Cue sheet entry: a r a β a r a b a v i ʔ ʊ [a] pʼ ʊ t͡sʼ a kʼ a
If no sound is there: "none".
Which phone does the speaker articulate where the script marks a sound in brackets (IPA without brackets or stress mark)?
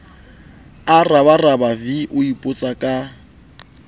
i